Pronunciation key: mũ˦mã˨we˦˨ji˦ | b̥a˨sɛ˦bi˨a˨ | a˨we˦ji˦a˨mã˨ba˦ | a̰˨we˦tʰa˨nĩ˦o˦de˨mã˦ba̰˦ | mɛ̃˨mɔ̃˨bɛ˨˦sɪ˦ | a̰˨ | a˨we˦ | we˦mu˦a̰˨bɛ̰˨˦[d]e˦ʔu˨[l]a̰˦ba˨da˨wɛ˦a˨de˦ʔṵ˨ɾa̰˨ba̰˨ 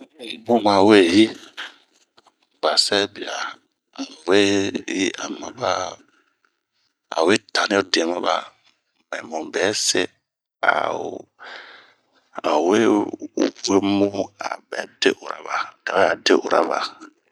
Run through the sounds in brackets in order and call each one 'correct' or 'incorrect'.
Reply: correct, incorrect

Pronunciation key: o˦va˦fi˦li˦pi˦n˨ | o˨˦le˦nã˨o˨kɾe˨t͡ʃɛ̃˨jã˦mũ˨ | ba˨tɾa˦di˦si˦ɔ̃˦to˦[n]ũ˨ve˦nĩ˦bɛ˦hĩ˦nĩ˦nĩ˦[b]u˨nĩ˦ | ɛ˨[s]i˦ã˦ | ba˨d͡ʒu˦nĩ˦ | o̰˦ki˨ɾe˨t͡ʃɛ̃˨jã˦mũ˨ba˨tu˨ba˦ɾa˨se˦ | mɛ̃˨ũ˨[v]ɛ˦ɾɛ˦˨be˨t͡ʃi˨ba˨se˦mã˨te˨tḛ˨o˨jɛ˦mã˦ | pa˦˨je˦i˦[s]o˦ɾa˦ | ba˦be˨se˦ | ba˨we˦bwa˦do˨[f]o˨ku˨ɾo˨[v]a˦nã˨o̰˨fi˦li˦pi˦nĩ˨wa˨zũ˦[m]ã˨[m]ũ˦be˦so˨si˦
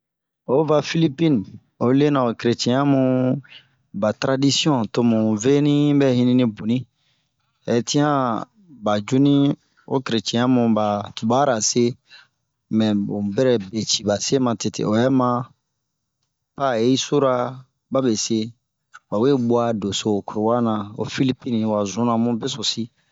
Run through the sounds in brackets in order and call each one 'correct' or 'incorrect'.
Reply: incorrect, correct, incorrect, incorrect, correct, incorrect, incorrect, incorrect, correct

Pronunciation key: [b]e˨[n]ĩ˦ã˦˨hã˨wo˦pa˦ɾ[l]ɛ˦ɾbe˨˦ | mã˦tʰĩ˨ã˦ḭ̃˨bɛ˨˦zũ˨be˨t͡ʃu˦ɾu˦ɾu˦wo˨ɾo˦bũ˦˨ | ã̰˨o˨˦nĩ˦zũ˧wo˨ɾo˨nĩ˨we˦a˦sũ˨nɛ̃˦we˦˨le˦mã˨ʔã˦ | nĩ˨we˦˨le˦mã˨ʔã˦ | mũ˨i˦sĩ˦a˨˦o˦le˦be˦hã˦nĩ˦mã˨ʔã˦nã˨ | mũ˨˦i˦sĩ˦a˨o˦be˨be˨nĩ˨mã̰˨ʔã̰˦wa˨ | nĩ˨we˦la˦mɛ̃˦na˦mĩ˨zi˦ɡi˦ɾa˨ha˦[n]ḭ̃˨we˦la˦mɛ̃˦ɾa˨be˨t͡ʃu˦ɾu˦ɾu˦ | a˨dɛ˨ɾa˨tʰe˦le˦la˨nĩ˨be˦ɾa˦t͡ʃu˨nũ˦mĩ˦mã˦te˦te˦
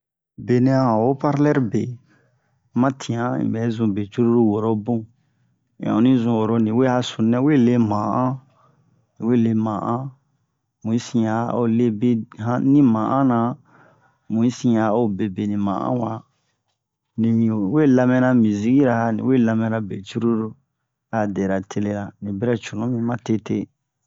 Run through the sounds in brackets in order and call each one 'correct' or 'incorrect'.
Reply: correct, correct, correct, correct

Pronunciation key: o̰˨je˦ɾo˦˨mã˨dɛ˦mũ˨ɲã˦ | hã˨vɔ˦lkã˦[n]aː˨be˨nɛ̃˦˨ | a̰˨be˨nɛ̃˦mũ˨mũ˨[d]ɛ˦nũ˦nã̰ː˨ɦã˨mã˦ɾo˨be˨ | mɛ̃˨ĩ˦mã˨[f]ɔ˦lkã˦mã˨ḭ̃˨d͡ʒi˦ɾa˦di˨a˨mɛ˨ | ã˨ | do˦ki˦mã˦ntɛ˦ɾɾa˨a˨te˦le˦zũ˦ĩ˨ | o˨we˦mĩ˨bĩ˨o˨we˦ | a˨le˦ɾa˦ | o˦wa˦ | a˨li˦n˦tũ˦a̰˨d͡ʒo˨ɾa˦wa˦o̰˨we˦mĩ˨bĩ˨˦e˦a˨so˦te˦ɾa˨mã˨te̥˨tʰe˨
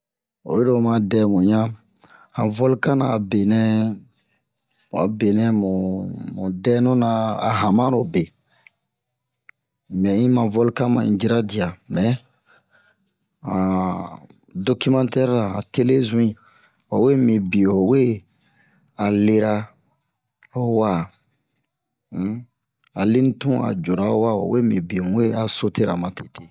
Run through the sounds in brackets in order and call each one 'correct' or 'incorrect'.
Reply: correct, correct, incorrect

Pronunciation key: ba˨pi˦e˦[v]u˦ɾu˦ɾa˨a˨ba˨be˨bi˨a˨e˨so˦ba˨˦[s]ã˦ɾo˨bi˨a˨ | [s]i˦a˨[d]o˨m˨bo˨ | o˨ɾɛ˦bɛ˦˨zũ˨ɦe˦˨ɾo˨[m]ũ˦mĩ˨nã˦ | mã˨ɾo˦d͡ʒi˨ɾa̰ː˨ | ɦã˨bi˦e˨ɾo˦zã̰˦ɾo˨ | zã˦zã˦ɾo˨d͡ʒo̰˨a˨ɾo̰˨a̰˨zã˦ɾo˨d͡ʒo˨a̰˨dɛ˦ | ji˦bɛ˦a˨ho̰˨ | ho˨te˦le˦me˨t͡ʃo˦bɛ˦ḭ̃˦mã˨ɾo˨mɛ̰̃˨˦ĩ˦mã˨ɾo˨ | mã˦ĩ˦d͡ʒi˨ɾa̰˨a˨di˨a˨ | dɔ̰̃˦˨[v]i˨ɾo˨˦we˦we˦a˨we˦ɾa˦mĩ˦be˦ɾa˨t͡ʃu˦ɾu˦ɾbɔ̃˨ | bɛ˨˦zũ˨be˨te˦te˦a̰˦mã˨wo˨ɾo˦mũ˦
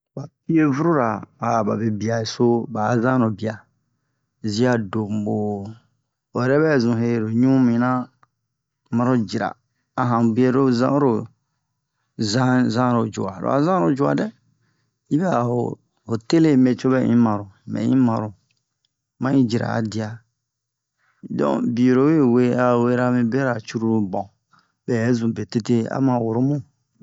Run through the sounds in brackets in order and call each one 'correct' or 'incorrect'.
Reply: correct, incorrect, incorrect, correct, incorrect, incorrect

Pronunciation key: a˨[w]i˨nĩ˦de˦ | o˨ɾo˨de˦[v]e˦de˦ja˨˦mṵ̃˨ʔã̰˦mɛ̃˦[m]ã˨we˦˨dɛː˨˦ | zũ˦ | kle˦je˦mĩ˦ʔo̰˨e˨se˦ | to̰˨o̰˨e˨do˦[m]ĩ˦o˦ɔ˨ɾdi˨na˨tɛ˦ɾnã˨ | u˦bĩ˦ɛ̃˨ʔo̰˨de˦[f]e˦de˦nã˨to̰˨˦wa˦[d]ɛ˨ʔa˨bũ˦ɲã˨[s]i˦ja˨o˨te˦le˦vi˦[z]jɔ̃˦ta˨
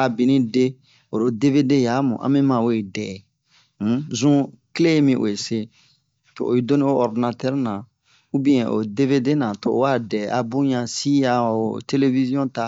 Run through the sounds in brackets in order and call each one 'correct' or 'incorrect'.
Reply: incorrect, correct, correct, incorrect, incorrect, correct, correct, correct

